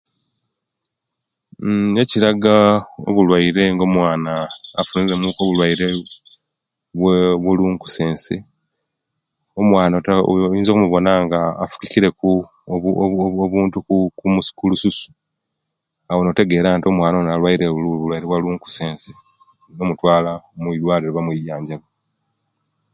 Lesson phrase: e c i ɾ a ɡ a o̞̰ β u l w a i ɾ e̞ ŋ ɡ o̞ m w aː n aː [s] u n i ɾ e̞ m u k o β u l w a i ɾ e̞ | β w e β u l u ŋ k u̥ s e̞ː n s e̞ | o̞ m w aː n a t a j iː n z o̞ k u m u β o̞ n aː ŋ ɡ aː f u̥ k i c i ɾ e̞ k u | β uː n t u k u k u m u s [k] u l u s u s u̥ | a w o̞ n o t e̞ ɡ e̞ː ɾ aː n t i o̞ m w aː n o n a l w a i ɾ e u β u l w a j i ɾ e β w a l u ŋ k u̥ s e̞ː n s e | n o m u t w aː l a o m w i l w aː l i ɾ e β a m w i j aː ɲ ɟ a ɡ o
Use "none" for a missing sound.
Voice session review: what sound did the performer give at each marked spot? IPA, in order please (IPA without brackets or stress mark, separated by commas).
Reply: f, k